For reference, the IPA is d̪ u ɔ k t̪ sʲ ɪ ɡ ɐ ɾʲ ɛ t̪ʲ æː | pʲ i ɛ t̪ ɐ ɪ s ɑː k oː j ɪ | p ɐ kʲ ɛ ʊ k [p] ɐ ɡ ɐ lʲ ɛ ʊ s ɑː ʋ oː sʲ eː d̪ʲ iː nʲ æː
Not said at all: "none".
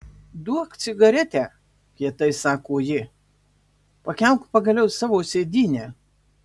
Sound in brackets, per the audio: p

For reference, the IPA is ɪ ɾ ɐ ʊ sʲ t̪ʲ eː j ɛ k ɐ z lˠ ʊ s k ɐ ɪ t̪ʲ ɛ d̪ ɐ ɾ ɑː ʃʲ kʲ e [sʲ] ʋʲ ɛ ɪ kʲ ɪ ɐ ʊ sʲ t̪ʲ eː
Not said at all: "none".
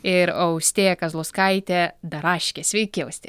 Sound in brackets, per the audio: sʲ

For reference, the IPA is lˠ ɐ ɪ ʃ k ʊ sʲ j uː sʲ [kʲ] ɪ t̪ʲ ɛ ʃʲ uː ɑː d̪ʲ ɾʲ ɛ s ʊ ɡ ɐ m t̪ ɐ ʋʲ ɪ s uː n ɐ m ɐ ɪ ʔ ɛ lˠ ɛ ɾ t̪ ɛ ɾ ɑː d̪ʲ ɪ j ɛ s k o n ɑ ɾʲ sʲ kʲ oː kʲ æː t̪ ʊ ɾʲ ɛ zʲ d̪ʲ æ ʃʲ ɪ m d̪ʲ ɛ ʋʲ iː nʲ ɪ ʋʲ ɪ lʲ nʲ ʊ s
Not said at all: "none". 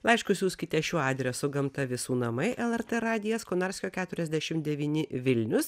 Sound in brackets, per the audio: kʲ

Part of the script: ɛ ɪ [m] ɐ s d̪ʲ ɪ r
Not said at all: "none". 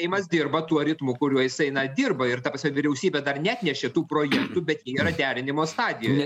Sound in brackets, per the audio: m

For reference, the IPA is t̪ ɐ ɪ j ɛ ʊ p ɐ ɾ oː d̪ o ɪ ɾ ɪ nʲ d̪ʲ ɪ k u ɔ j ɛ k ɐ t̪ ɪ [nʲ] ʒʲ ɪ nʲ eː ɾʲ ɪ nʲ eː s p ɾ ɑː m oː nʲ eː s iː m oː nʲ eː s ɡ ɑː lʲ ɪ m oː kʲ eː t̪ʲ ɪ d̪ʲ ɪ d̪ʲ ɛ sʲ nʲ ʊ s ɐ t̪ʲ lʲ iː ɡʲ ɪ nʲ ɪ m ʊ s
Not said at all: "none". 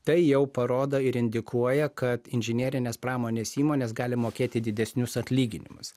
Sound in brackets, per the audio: nʲ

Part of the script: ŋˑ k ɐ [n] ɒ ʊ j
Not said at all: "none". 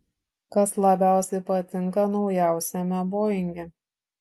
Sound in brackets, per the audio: n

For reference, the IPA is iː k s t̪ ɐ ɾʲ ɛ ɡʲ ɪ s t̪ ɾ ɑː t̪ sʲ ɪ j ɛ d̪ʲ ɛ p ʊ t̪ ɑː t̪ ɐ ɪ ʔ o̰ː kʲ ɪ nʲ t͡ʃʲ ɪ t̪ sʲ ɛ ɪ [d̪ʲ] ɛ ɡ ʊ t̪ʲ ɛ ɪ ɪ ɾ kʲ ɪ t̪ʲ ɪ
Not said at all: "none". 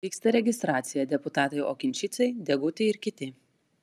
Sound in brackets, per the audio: d̪ʲ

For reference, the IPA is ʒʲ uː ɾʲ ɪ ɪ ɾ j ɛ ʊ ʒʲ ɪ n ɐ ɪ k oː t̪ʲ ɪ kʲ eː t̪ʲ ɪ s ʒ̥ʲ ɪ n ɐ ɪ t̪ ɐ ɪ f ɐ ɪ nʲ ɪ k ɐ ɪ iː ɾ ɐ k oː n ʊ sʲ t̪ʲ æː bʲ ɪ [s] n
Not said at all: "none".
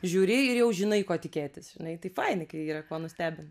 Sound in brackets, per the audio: none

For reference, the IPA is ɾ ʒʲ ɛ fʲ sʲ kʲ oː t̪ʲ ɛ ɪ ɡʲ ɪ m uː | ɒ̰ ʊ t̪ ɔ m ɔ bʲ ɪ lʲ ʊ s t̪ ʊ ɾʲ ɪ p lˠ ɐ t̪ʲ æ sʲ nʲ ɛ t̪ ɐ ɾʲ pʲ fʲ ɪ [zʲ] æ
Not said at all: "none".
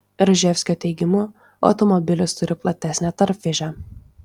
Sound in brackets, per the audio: ʒʲ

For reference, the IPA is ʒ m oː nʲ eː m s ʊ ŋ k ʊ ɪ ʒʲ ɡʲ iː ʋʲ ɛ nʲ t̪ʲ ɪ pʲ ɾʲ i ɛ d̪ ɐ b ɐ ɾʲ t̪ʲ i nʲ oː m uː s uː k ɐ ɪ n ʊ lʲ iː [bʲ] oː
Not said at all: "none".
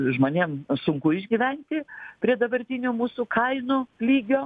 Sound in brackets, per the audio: ɡʲ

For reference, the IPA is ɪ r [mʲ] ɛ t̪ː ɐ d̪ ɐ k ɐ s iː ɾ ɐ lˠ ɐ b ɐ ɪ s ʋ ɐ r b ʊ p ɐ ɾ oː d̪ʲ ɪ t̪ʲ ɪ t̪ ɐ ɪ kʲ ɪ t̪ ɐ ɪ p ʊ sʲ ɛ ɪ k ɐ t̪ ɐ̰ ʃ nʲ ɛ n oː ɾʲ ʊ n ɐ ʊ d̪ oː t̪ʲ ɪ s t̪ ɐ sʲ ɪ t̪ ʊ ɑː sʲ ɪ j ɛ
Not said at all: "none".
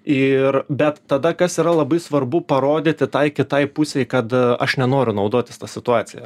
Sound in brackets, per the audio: bʲ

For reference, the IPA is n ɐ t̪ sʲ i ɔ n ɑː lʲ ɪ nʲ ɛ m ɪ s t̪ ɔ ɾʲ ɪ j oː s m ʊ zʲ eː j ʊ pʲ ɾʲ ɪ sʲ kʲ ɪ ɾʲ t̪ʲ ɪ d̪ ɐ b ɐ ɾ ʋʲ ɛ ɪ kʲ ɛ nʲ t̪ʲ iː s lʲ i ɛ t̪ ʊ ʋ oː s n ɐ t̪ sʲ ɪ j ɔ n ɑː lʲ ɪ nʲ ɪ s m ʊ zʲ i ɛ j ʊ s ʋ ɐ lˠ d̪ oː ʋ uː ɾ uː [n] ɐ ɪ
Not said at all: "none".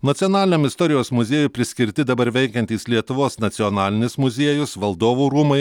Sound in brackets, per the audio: m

